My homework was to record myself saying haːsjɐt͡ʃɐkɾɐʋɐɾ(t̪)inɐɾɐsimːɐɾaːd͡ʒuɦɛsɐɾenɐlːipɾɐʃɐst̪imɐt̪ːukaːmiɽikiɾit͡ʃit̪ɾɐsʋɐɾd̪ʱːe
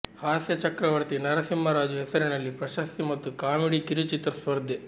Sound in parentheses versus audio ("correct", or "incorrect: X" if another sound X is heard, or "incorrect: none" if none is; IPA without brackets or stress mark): correct